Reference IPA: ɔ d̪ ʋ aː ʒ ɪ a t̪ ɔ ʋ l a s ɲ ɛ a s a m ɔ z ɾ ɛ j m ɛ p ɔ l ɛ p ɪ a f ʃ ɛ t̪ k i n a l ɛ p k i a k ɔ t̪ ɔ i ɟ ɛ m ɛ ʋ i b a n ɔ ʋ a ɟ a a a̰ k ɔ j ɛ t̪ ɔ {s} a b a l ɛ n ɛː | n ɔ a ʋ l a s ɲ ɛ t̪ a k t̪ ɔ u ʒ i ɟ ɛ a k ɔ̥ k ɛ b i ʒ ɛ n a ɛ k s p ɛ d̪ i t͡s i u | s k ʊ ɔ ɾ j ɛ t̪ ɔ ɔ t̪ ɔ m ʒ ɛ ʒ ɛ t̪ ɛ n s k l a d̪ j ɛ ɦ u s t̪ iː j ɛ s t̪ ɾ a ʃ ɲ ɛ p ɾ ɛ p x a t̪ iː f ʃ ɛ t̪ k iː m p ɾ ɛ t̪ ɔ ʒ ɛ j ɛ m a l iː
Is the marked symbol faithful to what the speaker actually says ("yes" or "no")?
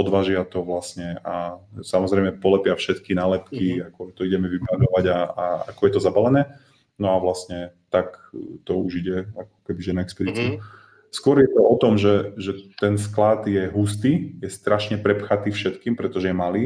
no